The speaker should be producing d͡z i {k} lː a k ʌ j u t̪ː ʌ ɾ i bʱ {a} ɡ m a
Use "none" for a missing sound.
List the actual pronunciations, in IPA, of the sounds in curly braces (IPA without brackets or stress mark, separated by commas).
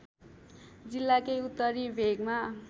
none, e